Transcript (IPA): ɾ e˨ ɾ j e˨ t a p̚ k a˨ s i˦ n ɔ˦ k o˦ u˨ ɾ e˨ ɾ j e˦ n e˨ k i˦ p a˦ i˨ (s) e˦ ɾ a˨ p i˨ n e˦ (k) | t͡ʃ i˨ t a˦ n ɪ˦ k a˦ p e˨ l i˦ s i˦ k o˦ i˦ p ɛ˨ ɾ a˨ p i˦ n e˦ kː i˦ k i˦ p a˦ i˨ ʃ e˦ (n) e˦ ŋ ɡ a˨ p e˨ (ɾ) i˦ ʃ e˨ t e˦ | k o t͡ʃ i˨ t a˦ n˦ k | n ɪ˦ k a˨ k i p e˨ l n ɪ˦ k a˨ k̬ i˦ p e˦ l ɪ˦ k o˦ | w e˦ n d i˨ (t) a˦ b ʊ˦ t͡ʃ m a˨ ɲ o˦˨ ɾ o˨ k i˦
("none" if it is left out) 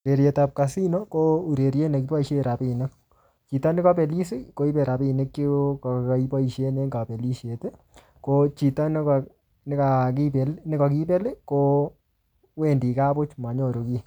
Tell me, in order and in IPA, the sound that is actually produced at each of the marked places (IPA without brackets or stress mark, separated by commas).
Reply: ʃ, k, n, l, k